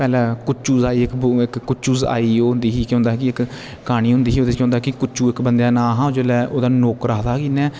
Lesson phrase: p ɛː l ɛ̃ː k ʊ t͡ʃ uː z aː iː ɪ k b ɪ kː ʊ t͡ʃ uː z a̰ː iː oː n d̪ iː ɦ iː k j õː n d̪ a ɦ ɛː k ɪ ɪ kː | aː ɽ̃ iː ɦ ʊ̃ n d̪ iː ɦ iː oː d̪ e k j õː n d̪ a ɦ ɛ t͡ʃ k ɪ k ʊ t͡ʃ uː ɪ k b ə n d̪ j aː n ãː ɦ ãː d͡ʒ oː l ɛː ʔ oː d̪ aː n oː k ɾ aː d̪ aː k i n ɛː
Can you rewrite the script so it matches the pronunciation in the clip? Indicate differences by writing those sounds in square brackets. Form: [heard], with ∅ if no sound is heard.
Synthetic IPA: p ɛː l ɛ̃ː k ʊ t͡ʃ uː z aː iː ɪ k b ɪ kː ʊ t͡ʃ uː z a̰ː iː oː n d̪ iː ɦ iː k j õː n d̪ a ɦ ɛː k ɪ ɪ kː | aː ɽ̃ iː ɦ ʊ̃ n d̪ iː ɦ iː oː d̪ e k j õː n d̪ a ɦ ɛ [∅] k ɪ k ʊ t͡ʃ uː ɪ k b ə n d̪ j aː n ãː ɦ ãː d͡ʒ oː l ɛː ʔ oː d̪ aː n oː k ɾ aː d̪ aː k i n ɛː

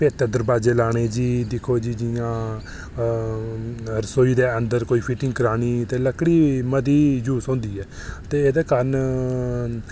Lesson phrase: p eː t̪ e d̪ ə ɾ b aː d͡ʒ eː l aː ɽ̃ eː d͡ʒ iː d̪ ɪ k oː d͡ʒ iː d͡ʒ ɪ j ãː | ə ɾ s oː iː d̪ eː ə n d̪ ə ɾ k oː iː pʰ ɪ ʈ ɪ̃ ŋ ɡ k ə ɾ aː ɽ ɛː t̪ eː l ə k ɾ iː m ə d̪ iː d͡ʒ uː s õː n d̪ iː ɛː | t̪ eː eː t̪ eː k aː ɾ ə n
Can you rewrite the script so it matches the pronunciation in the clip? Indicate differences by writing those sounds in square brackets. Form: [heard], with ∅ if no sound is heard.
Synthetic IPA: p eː t̪ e d̪ ə ɾ b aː d͡ʒ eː l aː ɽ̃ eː d͡ʒ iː d̪ ɪ [kʰ] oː d͡ʒ iː d͡ʒ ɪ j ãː | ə ɾ s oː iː d̪ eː ə n d̪ ə ɾ k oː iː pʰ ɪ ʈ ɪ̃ ŋ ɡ k ə ɾ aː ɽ [iː] t̪ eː l ə k [ɽ] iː m ə d̪ iː d͡ʒ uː s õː n d̪ iː ɛː | t̪ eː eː [d̪] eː k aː ɾ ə n

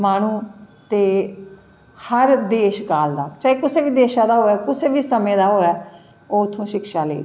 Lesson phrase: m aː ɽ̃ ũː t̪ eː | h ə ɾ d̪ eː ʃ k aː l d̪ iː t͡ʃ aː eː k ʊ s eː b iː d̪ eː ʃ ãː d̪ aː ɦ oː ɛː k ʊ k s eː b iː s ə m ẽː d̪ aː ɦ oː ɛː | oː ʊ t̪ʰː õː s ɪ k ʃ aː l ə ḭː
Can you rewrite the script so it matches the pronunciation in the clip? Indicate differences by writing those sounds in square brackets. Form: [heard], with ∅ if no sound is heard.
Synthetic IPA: m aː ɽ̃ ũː t̪ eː | h ə ɾ d̪ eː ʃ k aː l d̪ [aː] t͡ʃ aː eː k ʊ s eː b iː d̪ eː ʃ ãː d̪ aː ɦ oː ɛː k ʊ [∅] s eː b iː s ə m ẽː d̪ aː ɦ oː ɛː | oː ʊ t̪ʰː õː [ʃ] ɪ k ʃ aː l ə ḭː

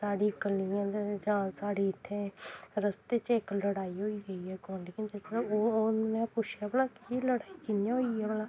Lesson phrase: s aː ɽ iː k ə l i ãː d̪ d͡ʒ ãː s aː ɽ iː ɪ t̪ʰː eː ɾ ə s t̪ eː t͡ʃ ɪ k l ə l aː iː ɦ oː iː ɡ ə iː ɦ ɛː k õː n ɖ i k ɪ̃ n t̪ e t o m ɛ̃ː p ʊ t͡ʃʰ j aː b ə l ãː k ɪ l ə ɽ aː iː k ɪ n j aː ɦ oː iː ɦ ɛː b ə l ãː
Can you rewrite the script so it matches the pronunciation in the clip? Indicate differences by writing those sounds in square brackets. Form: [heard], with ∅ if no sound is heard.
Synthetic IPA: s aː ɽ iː k ə l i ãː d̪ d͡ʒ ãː s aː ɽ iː ɪ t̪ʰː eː ɾ ə s t̪ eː t͡ʃ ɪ k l ə [ɽ] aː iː ɦ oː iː ɡ ə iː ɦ ɛː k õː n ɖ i k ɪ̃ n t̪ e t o m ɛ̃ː p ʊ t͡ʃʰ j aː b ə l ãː k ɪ l ə ɽ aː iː k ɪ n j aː ɦ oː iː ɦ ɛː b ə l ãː

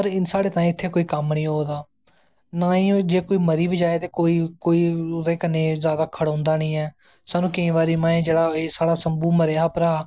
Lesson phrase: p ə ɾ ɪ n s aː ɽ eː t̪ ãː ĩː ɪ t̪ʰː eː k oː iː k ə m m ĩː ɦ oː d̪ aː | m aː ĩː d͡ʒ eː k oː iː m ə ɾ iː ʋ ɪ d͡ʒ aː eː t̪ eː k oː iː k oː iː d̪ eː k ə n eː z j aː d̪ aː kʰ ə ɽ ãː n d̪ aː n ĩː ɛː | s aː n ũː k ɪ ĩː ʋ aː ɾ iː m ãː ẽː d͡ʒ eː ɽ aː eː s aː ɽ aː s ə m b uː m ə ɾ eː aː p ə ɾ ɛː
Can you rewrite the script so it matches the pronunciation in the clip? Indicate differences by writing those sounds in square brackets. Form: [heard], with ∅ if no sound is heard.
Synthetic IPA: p ə ɾ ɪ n s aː ɽ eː t̪ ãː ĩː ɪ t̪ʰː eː k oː iː k ə m [n] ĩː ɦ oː d̪ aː | [n] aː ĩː d͡ʒ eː k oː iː m ə ɾ iː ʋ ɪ d͡ʒ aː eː t̪ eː k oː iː k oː iː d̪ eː k ə n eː z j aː d̪ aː kʰ ə ɽ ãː n d̪ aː n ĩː ɛː | s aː n ũː k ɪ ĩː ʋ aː ɾ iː m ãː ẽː d͡ʒ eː ɽ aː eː s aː ɽ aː s ə m b uː m ə ɾ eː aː p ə ɾ [aː]

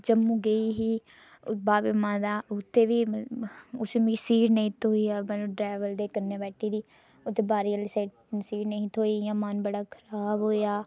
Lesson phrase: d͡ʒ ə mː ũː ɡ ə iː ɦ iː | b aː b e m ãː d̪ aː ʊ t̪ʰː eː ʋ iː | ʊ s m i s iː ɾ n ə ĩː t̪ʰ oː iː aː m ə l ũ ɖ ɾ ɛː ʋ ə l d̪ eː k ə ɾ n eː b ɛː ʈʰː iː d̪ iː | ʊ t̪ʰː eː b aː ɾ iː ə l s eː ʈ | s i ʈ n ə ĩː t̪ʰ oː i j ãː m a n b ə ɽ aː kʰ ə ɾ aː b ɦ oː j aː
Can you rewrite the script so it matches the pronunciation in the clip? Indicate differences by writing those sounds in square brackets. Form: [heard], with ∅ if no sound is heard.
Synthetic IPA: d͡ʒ ə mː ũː ɡ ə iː ɦ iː | b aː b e m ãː d̪ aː ʊ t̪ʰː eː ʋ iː | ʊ s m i s iː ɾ n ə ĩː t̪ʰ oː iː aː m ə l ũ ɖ ɾ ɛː ʋ ə l d̪ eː k ə ɾ n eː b ɛː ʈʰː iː d̪ iː | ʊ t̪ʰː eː b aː ɾ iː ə l s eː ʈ | s [iː] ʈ n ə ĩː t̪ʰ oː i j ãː m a n b ə ɽ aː kʰ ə ɾ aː b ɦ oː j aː

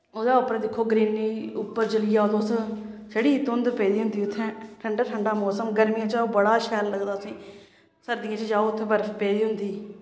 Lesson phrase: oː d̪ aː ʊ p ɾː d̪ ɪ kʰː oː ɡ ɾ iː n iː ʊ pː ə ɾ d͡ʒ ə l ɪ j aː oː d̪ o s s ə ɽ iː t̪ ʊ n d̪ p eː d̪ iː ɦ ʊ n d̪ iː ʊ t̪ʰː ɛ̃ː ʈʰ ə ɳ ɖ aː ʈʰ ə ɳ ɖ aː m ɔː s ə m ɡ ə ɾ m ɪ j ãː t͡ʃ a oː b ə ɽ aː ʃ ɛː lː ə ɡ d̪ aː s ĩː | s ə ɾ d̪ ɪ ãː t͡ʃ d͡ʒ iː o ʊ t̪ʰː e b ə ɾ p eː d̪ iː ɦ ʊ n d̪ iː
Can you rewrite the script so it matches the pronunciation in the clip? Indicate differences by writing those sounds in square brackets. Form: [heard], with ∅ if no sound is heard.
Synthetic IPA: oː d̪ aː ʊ p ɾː d̪ ɪ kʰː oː ɡ ɾ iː n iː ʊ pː ə ɾ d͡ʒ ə l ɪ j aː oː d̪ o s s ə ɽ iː t̪ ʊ n d̪ p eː d̪ iː ɦ ʊ n d̪ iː ʊ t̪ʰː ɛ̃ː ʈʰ ə ɳ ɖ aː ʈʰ ə ɳ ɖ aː m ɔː s ə m ɡ ə ɾ m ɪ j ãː t͡ʃ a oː b ə ɽ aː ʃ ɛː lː ə ɡ d̪ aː s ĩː | s ə ɾ d̪ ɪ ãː t͡ʃ d͡ʒ [aː] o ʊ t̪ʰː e b ə ɾ p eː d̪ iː ɦ ʊ n d̪ iː

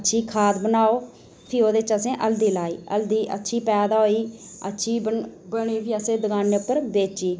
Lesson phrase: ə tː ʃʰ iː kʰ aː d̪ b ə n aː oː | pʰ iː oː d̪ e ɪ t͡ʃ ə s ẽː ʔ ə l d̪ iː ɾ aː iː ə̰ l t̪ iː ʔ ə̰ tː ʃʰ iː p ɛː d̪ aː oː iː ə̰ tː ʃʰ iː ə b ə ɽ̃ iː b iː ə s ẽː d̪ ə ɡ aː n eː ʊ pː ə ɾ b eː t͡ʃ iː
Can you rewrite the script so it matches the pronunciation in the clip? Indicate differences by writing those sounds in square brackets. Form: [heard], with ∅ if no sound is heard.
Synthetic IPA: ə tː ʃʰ iː kʰ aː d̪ b ə n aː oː | pʰ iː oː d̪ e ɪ t͡ʃ ə s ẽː ʔ ə l d̪ iː [l] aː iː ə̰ l [d̪] iː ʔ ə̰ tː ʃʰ iː p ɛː d̪ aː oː iː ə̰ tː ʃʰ iː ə b ə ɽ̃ iː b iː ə s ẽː d̪ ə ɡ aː n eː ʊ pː ə ɾ b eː t͡ʃ iː

